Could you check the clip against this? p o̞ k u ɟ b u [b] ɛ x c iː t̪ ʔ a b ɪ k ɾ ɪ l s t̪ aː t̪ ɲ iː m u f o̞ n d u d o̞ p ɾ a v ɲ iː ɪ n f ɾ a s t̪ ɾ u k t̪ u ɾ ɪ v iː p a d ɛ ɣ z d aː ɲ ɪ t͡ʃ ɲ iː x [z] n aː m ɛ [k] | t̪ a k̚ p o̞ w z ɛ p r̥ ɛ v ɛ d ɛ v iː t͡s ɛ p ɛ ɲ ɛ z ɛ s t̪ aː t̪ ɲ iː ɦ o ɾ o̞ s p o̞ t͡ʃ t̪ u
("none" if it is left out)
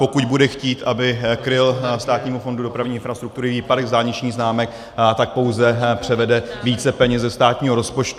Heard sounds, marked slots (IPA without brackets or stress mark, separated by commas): d, z, k